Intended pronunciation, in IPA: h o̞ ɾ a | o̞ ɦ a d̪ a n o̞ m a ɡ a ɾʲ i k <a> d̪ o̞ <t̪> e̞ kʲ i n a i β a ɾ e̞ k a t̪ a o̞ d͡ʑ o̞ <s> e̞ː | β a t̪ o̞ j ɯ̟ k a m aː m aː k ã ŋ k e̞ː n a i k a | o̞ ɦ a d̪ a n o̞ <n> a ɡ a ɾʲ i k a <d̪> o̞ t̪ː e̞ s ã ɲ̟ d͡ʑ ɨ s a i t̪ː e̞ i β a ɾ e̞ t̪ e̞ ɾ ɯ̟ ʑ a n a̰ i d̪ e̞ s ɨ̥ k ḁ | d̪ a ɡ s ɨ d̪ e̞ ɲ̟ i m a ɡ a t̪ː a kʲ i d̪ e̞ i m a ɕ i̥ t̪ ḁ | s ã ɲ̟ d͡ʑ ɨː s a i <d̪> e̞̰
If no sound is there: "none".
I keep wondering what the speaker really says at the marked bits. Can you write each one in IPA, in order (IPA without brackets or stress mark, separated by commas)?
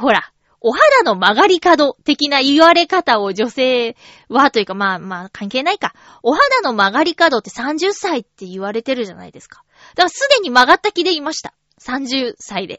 a, t̪, s, m, d̪, d̪